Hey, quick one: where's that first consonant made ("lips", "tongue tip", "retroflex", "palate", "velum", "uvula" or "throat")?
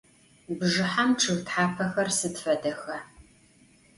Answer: lips